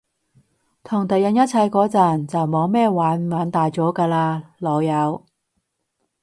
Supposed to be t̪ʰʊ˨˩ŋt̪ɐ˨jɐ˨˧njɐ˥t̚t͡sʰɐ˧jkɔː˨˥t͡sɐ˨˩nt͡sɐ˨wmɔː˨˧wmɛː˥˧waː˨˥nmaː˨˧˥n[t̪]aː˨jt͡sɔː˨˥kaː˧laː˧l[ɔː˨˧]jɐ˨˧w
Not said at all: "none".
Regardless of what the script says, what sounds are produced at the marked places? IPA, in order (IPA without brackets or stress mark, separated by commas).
t̪, ɔː˨˧